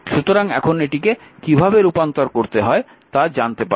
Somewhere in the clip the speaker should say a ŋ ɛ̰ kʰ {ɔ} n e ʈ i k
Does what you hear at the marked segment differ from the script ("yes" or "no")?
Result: yes